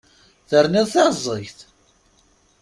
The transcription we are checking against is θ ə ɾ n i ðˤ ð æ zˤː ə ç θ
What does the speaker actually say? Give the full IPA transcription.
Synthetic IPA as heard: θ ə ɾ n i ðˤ θ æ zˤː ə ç θ